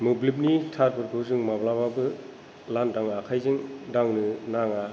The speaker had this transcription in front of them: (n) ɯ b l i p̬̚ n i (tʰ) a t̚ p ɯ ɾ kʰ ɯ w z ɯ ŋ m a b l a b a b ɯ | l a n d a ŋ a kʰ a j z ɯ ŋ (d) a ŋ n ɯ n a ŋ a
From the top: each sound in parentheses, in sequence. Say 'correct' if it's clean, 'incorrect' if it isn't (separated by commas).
incorrect, correct, correct